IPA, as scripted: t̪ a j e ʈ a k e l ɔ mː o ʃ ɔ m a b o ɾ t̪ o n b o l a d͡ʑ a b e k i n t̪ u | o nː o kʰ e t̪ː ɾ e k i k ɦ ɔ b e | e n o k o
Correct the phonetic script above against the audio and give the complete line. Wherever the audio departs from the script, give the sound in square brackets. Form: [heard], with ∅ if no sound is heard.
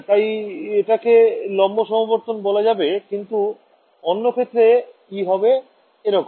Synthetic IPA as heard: t̪ a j e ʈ a k e l ɔ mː o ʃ ɔ m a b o ɾ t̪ o n b o l a d͡ʑ a b e k i n t̪ u | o nː o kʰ e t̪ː ɾ e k i [∅] ɦ ɔ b e | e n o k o

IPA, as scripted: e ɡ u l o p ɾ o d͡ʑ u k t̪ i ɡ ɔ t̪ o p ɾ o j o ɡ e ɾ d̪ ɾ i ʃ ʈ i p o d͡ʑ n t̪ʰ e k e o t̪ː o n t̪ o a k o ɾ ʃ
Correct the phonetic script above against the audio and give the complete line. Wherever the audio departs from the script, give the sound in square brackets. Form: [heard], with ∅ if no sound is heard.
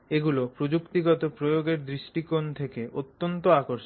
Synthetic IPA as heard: e ɡ u l o p ɾ o d͡ʑ u k t̪ i ɡ ɔ t̪ o p ɾ o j o ɡ e ɾ d̪ ɾ i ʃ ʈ i [k] o [∅] n t̪ʰ e k e o t̪ː o n t̪ o a k o ɾ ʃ

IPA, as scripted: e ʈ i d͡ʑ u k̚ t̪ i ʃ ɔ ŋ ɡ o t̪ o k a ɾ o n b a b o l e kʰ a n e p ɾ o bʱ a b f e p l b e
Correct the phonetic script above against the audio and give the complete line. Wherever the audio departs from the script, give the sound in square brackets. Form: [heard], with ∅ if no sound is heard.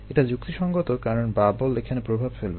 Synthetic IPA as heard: e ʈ [a] d͡ʑ u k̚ t̪ i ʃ ɔ ŋ ɡ o t̪ o k a ɾ o n b a b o l e kʰ a n e p ɾ o bʱ a b f e [∅] l b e

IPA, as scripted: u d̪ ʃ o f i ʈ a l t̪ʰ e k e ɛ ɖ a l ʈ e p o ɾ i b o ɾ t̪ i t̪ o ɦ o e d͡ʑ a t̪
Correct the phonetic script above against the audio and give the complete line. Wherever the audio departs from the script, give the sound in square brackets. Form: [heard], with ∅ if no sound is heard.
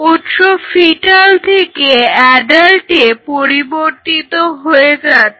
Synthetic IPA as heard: u [t̪] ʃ o f i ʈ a l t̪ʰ e k e ɛ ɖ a l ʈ e p o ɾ i b o ɾ t̪ i t̪ o ɦ o e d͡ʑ a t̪

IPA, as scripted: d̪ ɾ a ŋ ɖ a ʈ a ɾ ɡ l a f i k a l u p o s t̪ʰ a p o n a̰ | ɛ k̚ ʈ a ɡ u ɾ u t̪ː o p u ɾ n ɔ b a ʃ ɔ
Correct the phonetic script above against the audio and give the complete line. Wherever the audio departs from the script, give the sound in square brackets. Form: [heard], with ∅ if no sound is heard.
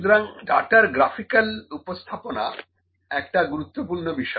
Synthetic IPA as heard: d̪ ɾ a ŋ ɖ a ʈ a ɾ ɡ [ɾ] a f i k a l u p o s t̪ʰ a p o n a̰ | ɛ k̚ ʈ a ɡ u ɾ u t̪ː o p u ɾ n [o] b [i] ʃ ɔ

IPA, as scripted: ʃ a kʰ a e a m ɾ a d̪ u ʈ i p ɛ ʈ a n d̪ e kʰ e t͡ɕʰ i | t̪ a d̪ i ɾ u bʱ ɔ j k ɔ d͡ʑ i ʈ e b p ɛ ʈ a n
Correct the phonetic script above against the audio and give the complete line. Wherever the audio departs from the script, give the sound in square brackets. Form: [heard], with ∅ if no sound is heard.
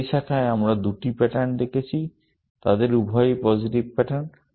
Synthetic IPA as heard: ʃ a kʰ a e a m ɾ a d̪ u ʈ i p ɛ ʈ a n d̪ e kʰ e t͡ɕʰ i | t̪ a d̪ [e] ɾ u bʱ ɔ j [p] ɔ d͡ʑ i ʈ [i] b p ɛ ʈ a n

